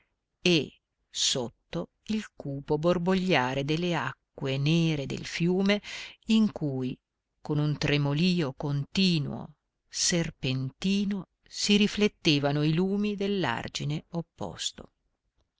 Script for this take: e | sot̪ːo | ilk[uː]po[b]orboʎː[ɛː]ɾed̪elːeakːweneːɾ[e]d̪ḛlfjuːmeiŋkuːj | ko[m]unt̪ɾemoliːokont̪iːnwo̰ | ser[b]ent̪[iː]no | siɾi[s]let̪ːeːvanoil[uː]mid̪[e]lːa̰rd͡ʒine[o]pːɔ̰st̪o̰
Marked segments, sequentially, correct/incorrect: correct, correct, incorrect, correct, incorrect, incorrect, correct, incorrect, correct, correct, correct

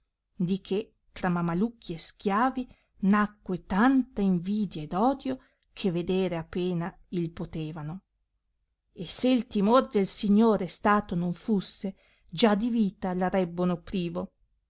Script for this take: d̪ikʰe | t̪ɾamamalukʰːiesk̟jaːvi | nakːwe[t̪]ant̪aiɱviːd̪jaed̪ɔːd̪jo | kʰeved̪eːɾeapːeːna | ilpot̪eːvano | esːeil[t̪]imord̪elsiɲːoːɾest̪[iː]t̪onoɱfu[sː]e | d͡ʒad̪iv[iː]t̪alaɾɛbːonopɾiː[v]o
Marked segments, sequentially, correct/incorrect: correct, correct, incorrect, correct, correct, correct

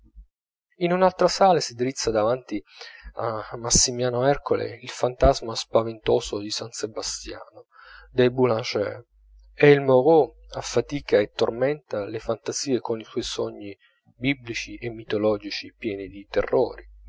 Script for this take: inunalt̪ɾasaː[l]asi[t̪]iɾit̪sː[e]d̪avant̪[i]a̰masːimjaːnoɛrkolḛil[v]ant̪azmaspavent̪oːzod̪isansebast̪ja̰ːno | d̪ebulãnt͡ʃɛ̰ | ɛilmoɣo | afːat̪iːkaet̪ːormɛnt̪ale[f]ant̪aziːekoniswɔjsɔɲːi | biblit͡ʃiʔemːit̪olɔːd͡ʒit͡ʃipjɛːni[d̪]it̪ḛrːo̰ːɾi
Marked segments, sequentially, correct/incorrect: correct, incorrect, incorrect, correct, incorrect, correct, correct

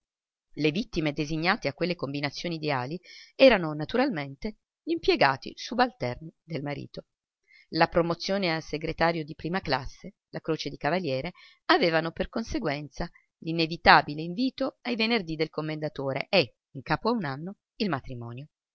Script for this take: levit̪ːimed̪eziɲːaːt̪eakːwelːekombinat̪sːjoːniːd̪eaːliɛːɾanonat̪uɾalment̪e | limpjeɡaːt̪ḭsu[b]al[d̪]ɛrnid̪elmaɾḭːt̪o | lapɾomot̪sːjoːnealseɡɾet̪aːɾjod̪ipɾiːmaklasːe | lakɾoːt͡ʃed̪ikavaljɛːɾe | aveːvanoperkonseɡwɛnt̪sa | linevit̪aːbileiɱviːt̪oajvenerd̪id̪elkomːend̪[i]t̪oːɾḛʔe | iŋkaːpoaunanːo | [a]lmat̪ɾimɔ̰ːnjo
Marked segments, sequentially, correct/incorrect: correct, incorrect, incorrect, incorrect

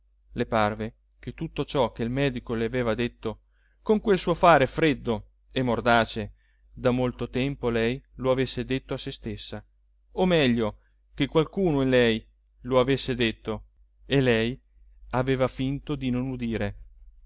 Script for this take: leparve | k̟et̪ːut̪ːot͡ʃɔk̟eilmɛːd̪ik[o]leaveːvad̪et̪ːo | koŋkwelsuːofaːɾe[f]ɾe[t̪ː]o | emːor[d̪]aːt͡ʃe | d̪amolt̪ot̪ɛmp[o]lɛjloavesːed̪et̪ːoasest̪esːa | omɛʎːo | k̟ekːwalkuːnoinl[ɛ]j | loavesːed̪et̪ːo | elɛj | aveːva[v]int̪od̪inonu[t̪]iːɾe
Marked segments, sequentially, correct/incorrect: correct, correct, incorrect, correct, correct, correct, incorrect, incorrect

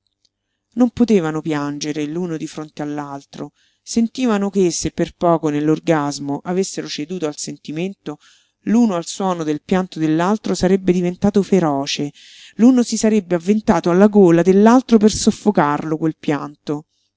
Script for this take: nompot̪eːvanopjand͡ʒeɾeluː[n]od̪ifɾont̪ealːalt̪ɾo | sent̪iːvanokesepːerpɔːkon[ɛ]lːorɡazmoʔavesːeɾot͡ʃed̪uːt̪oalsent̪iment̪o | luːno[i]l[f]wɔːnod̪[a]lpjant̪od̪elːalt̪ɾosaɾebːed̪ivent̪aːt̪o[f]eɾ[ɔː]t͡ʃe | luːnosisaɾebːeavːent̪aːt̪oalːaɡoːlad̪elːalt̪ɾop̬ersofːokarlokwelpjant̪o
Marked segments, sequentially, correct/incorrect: correct, incorrect, incorrect, incorrect, incorrect, correct, correct

